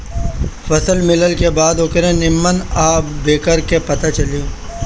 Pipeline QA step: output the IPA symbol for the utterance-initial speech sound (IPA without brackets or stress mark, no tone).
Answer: f